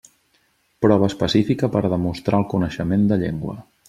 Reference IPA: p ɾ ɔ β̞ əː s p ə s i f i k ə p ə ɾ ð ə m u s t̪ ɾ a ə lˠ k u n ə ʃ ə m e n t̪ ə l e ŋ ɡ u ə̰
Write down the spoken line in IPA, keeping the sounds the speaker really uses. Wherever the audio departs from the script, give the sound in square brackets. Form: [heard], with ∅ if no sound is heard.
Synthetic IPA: p ɾ ɔ β̞ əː s p ə s i f i k ə p ə ɾ ð ə m u s t̪ ɾ a ə lˠ k u n ə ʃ ə m e n [d̪] ə [ʎ] e ŋ ɡ [w] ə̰